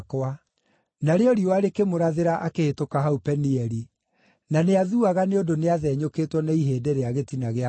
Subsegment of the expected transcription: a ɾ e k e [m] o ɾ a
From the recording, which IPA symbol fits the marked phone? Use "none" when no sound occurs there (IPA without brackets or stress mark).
m